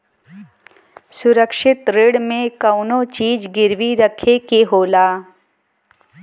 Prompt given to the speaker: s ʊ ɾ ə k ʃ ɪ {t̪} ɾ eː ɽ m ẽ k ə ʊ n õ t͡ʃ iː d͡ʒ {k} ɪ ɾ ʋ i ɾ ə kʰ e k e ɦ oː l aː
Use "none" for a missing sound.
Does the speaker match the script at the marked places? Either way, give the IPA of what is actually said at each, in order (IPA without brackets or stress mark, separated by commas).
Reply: t̪, ɡ